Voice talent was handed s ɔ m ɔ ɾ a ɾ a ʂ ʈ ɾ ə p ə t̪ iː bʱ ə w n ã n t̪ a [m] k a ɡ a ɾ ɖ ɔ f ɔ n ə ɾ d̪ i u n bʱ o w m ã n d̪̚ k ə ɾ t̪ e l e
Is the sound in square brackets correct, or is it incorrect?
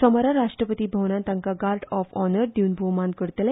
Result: incorrect